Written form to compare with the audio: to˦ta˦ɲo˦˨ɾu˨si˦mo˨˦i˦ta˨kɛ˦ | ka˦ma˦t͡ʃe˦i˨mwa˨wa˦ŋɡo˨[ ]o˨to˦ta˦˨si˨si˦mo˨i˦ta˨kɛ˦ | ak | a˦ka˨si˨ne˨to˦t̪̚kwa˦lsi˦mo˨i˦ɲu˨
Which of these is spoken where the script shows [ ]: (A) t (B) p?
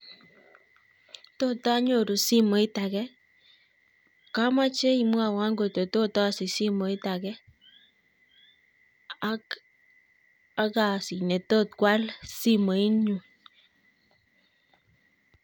A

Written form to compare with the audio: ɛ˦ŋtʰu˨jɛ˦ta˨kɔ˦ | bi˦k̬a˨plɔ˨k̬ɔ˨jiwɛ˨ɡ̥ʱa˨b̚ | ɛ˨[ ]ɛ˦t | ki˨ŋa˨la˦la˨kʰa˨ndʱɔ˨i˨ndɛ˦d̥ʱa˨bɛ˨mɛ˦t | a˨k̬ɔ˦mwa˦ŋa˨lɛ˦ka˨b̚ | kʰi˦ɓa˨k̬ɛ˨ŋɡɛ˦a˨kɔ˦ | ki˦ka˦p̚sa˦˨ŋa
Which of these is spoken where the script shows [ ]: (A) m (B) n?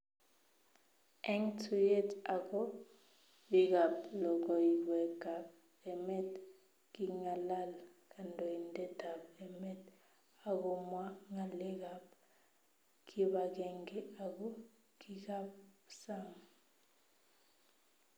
A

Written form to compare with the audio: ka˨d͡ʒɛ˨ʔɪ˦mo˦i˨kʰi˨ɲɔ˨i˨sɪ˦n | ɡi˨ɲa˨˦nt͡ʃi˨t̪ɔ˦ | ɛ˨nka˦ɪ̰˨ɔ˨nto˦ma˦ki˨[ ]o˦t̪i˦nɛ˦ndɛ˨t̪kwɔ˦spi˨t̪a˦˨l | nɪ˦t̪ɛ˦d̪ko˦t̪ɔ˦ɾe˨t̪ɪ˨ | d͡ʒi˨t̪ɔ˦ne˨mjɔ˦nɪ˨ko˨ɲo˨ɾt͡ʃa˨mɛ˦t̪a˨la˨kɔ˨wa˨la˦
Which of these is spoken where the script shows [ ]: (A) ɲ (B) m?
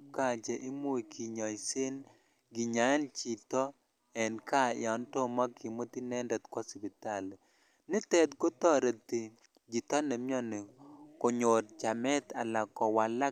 B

